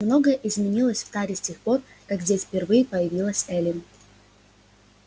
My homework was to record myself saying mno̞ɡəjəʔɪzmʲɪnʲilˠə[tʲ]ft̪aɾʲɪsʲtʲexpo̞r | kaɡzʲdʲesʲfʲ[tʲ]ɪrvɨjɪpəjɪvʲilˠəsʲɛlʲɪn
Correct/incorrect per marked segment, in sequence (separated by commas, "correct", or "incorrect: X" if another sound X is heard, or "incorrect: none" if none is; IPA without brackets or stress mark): incorrect: sʲ, incorrect: pʲ